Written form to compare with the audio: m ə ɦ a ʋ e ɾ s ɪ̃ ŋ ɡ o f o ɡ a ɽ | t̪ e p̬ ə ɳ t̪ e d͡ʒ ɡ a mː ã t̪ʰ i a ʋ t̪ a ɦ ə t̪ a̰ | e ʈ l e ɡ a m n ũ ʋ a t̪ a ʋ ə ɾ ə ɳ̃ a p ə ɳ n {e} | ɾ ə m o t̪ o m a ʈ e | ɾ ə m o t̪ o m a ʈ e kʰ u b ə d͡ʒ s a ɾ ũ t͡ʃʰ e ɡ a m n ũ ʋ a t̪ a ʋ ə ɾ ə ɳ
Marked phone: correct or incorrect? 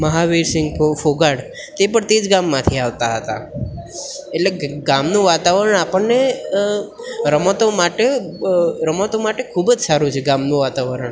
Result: correct